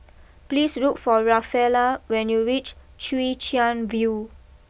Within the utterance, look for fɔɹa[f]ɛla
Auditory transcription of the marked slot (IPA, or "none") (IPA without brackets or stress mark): f